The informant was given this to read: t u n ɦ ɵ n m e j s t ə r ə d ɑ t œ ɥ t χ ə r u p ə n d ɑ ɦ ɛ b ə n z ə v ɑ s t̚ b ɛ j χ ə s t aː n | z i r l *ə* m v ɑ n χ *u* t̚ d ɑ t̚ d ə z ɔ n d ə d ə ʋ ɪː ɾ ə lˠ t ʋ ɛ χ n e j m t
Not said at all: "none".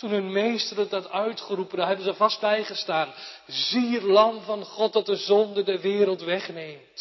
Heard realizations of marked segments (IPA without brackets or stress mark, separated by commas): ɑ, ɔ